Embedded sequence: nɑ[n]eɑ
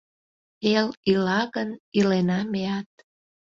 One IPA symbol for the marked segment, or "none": m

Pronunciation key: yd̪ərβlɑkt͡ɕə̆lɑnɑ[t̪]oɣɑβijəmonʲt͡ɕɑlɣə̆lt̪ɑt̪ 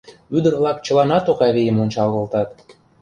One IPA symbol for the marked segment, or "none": t̪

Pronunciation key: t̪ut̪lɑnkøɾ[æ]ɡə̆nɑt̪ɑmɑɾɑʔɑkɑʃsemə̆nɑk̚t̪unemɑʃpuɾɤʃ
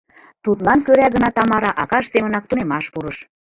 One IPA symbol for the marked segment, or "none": æ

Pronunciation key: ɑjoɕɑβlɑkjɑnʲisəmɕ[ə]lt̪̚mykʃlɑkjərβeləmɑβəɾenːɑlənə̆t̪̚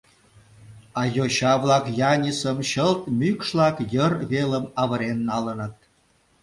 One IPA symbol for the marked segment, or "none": ə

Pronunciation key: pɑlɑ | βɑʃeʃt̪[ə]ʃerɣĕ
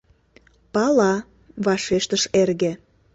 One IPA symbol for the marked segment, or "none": ə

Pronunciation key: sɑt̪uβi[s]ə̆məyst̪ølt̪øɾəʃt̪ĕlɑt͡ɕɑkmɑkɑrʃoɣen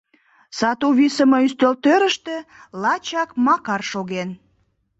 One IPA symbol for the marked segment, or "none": s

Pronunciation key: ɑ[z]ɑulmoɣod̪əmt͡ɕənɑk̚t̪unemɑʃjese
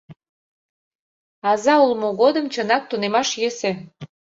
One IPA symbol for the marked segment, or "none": z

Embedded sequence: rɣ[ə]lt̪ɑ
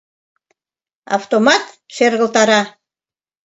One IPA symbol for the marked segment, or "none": ə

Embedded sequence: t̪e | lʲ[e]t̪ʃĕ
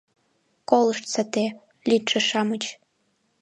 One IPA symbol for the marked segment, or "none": i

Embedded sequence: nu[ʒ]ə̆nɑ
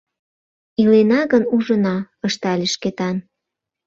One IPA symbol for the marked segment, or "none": ʒ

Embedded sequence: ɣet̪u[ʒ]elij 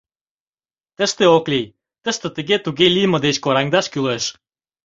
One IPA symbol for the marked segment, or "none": ɣ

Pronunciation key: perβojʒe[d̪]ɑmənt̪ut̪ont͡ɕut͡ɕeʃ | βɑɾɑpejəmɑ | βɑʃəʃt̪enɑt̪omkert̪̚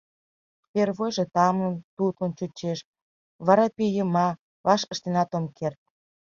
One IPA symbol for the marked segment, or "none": t̪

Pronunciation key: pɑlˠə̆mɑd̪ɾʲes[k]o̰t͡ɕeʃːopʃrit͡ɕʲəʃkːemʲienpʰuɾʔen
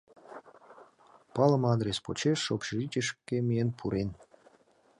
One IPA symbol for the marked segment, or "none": p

